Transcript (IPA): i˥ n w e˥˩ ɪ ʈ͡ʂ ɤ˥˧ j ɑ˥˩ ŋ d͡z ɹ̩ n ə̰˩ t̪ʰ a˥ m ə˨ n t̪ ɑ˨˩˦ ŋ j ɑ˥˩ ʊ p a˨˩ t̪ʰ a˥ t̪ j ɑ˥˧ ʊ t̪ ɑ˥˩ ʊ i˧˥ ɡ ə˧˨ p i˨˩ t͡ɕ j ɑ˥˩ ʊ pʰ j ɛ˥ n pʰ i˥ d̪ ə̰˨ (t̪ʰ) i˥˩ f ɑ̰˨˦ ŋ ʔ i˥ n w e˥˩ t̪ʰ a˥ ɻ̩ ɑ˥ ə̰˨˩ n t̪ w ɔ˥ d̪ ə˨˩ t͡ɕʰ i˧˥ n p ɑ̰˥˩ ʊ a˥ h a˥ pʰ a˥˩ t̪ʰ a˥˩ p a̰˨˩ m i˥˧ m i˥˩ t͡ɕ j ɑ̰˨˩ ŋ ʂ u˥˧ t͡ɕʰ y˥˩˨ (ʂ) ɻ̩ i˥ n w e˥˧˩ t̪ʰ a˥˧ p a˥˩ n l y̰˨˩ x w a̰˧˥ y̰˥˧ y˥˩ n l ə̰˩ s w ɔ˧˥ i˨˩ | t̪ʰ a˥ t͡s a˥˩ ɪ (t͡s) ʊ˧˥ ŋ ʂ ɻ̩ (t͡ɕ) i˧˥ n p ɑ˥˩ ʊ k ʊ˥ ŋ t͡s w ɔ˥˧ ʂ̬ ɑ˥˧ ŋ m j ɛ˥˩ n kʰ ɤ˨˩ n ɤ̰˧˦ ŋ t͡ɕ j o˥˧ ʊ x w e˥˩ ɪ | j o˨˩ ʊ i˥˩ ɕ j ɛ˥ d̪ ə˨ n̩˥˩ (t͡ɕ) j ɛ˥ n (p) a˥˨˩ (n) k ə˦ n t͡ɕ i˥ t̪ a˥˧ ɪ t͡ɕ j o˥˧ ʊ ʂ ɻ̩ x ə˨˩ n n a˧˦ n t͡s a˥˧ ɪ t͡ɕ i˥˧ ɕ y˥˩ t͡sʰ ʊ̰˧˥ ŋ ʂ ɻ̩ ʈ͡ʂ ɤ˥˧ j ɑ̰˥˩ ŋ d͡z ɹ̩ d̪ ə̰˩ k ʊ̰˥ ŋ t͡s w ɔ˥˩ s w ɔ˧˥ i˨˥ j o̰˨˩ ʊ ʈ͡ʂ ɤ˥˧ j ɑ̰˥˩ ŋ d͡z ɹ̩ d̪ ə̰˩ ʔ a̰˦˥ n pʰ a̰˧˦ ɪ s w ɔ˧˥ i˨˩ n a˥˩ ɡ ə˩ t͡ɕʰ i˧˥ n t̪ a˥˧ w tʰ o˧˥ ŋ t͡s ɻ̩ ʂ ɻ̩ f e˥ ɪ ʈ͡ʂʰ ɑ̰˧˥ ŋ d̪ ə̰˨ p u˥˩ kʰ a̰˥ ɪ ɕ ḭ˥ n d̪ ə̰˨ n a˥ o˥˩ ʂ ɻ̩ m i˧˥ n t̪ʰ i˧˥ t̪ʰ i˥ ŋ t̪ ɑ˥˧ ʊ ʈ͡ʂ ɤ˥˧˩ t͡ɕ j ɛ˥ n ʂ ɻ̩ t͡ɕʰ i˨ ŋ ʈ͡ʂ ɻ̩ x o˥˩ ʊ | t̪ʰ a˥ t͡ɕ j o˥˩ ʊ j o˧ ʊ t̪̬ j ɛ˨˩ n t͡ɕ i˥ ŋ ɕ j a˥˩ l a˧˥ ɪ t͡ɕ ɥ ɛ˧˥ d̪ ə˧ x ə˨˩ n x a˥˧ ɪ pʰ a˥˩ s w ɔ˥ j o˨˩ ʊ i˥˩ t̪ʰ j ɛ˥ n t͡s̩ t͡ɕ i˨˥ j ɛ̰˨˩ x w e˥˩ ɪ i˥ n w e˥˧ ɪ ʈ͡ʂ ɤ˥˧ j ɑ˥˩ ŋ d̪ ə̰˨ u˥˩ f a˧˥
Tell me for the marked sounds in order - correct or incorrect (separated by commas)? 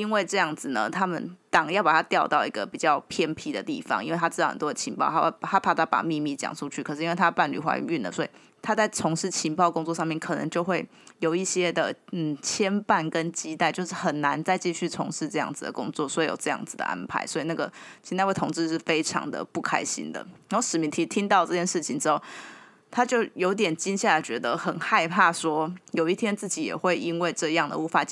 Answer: incorrect, correct, incorrect, incorrect, incorrect, correct, correct